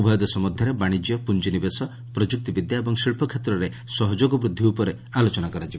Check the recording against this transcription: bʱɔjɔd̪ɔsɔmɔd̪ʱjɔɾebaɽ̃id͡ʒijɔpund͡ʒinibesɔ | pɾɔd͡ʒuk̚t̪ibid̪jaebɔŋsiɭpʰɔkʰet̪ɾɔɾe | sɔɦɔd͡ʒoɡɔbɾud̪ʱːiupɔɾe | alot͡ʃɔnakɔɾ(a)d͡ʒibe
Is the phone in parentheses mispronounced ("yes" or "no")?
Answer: no